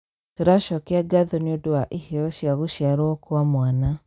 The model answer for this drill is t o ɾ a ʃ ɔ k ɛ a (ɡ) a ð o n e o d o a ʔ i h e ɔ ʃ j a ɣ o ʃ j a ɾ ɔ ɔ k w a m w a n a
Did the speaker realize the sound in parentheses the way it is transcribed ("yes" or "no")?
yes